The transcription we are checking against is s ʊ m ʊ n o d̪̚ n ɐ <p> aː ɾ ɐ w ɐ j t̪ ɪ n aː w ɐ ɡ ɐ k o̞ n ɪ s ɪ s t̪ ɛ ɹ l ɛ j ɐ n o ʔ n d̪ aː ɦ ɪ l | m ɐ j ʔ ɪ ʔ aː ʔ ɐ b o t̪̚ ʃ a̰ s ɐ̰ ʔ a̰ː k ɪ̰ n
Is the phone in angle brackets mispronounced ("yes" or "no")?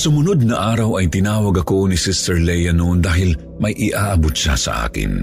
yes